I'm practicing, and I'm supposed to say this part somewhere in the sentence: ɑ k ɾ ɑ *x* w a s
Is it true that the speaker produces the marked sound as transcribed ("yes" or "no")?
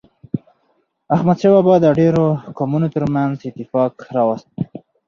no